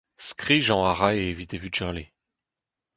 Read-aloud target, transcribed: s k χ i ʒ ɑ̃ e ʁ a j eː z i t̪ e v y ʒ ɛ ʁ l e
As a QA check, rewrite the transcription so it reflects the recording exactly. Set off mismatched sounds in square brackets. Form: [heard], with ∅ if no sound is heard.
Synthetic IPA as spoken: s k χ i ʒ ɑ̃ [a] ʁ a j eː [v] i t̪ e v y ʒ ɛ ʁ l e